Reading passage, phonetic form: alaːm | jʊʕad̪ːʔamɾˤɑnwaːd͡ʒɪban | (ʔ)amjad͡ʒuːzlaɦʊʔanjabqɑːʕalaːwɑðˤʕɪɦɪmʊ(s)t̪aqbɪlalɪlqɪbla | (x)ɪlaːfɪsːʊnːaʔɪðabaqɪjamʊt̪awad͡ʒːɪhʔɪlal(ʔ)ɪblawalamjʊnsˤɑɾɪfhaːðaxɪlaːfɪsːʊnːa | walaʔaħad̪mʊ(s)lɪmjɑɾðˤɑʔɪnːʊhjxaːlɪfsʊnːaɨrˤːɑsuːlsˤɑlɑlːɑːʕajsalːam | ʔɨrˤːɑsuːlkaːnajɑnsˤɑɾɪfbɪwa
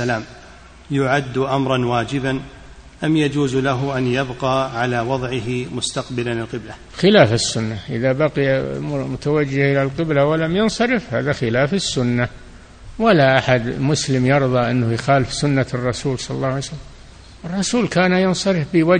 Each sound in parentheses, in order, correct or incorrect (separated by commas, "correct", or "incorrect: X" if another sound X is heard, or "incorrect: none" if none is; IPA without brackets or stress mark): correct, correct, correct, incorrect: q, correct